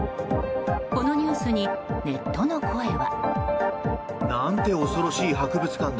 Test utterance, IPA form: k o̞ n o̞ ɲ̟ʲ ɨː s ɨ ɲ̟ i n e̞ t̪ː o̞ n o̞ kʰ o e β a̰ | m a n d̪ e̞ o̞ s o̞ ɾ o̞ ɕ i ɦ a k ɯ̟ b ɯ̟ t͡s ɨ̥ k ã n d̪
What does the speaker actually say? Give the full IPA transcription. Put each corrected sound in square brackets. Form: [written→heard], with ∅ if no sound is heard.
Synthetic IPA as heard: k o̞ n o̞ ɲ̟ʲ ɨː s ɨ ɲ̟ i n e̞ t̪ː o̞ n o̞ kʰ o e β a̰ | [m→n] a n [d̪→t̪] e̞ o̞ s o̞ ɾ o̞ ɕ [i→iː] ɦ a k ɯ̟ b ɯ̟ t͡s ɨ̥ k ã n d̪